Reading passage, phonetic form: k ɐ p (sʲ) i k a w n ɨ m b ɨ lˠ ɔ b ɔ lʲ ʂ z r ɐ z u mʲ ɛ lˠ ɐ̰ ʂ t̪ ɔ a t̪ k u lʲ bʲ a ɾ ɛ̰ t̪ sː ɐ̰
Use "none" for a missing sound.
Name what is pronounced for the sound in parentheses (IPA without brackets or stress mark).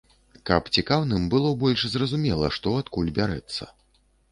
t͡sʲ